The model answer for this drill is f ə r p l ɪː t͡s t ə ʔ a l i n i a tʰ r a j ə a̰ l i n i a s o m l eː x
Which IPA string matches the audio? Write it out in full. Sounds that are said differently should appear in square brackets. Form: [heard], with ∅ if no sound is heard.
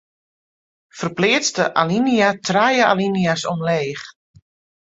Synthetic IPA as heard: f ə r p l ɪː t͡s t ə ʔ a l i n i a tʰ r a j ə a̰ l i n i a s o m l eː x